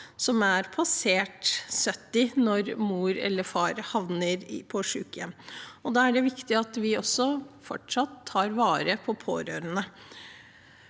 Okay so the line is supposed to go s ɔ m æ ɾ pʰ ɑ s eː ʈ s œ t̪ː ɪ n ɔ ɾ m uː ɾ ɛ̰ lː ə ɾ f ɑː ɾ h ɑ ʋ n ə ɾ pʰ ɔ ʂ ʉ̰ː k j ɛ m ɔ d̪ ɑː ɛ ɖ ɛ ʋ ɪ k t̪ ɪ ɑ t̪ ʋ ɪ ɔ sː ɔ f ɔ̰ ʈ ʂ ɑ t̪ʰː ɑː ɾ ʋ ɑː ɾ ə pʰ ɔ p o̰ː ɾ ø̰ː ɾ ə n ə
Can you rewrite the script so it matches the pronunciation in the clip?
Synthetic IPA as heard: s ɔ m æ ɾ pʰ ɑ s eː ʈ s œ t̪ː ɪ n ɔ ɾ m uː ɾ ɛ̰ lː ə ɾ f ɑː ɾ h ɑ ʋ n ə ɾ pʰ ɔ ʂ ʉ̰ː k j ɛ m ɔ d̪ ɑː æ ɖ ɛ ʋ ɪ k t̪ ɪ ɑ t̪ ʋ ɪ ɔ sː ɔ f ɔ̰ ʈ ʂ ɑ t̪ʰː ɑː ɾ ʋ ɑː ɾ ə pʰ ɔ pʰ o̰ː ɾ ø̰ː ɾ ə n ə